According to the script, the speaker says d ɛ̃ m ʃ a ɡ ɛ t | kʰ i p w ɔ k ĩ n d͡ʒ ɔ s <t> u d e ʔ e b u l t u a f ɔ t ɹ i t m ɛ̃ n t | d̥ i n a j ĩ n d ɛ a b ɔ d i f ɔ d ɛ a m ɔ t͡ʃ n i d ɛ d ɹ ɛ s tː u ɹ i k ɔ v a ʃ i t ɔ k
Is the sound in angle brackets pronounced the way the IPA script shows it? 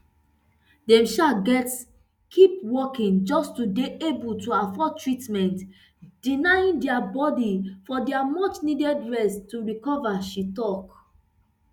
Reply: yes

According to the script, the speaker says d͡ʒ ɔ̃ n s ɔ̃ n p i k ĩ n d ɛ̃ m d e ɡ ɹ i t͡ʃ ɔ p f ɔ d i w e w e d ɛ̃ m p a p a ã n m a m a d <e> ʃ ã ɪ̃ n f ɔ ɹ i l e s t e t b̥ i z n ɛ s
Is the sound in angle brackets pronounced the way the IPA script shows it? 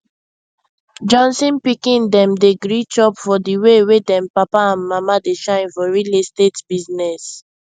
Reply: yes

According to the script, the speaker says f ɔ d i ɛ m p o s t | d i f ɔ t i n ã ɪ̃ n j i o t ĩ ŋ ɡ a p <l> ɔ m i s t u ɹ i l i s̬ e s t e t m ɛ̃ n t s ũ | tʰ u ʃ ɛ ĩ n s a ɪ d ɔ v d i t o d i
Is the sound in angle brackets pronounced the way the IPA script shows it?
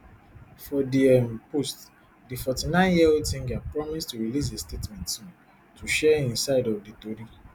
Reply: no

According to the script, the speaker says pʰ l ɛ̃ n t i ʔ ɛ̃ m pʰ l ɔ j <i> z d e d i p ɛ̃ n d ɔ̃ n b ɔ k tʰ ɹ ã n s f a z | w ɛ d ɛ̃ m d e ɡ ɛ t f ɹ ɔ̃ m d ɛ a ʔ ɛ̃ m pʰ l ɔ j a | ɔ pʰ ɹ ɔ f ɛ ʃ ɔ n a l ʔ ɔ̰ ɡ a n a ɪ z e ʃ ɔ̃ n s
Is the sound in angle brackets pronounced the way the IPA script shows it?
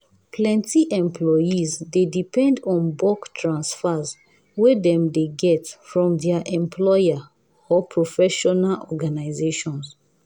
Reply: yes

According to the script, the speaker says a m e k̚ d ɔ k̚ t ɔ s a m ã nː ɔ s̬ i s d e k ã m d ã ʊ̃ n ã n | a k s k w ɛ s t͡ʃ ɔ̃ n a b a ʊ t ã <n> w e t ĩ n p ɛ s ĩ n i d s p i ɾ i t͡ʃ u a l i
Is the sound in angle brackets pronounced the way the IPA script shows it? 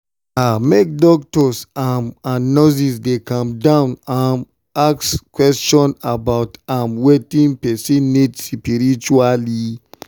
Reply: no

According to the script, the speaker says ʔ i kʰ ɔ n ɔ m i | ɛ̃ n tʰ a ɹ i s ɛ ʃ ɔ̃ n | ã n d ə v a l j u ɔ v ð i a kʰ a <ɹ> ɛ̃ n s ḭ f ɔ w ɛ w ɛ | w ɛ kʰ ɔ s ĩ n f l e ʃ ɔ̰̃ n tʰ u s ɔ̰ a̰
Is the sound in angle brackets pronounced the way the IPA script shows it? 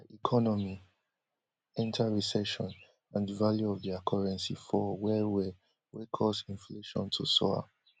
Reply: yes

